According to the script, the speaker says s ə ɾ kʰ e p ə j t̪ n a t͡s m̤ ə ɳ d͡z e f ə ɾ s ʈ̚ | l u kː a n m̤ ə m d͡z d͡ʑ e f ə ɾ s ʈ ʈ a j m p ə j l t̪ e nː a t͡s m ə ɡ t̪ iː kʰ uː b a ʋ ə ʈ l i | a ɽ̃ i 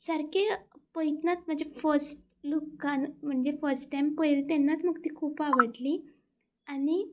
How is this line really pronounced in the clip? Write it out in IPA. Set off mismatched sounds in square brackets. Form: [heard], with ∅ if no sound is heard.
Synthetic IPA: s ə ɾ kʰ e p ə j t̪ n a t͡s m̤ ə ɳ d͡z e f ə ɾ s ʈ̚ | l u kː a n m̤ ə [ɳ] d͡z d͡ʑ e f ə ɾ s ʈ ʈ a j m p ə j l t̪ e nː a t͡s m ə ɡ t̪ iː kʰ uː [p] a ʋ ə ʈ l i | a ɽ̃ i